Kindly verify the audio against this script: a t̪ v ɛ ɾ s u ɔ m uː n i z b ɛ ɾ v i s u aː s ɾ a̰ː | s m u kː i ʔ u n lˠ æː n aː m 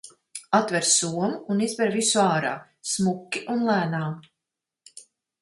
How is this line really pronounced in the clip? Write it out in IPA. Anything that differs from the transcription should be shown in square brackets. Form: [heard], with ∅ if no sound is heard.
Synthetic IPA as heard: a t̪ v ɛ ɾ s u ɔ m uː n i z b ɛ ɾ v i s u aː [∅] ɾ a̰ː | s m u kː i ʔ u n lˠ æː n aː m